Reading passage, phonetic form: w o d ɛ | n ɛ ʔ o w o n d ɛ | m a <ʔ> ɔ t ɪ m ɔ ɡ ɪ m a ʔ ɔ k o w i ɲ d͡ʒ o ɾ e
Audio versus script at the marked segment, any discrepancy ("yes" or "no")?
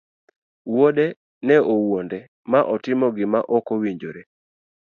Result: no